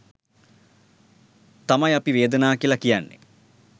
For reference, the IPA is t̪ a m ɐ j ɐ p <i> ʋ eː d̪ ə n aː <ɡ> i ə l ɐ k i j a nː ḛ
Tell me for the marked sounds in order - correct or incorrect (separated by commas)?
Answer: correct, incorrect